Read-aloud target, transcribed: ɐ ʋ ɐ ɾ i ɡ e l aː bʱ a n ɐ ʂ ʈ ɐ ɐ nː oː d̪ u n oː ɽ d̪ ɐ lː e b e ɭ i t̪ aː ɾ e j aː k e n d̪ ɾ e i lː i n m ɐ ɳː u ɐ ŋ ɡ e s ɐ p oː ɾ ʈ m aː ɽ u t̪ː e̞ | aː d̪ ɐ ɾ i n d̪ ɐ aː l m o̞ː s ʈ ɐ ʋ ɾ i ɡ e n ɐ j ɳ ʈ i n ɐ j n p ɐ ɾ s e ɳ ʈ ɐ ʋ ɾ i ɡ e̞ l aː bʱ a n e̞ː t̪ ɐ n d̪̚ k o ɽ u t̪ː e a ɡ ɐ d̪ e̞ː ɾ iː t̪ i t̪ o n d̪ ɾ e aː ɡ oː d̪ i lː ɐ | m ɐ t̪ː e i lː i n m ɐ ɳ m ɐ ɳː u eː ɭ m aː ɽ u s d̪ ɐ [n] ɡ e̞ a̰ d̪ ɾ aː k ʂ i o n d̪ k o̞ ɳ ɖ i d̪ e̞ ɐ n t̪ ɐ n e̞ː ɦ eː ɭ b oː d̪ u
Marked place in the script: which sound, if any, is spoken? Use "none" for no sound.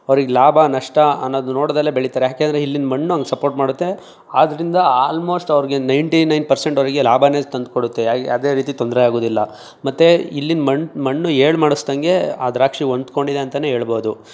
ŋ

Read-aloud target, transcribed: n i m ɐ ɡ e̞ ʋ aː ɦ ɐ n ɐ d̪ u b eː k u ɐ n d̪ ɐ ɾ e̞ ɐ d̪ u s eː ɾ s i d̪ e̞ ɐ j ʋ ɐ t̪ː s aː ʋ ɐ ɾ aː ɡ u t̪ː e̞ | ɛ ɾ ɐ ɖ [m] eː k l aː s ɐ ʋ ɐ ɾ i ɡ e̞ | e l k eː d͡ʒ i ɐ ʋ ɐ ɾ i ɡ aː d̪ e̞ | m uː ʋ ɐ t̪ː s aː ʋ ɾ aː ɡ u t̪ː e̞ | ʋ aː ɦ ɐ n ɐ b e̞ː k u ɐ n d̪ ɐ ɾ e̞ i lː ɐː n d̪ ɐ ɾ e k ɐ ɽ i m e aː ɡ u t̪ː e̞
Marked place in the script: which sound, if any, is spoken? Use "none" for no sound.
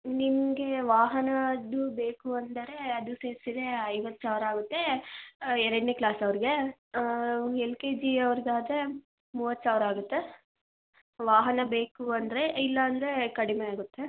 n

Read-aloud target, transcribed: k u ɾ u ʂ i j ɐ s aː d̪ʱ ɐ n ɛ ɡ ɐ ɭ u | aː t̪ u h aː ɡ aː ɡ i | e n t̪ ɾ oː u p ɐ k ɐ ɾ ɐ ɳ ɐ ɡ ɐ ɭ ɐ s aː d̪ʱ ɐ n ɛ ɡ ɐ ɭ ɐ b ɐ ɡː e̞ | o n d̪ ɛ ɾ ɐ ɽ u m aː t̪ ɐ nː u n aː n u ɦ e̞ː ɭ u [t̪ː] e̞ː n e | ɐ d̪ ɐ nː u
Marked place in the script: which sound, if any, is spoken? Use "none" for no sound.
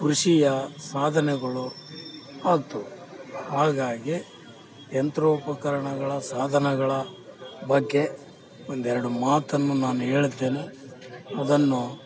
d̪ː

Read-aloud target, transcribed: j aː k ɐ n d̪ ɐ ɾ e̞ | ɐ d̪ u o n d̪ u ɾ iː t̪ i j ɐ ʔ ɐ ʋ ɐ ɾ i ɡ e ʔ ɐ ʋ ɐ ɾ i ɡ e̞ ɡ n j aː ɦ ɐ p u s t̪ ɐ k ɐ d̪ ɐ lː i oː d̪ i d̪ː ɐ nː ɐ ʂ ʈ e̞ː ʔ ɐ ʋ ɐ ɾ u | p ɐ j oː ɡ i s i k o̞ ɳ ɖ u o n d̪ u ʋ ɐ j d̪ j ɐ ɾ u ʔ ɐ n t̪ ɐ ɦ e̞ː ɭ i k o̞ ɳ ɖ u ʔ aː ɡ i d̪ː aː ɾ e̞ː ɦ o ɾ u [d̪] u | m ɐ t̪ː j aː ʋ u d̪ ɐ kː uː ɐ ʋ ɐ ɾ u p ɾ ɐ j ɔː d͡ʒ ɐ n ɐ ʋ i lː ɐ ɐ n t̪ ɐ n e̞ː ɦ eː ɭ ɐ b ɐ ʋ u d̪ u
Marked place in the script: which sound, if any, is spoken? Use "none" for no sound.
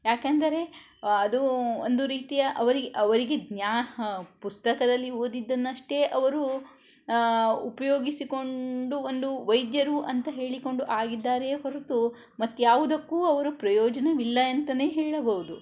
t̪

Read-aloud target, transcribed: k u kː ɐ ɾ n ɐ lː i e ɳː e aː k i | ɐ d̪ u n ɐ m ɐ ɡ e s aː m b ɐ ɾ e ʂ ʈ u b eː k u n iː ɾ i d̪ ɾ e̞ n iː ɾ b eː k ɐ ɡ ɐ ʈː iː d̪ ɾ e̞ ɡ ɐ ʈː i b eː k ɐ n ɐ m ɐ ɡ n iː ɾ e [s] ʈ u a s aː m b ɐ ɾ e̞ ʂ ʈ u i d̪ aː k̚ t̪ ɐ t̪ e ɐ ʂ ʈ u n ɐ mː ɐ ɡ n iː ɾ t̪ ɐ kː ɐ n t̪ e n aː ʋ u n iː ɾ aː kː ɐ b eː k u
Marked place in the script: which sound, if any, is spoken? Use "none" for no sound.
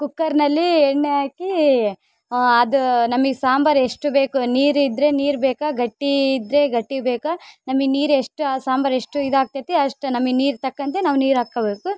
ʂ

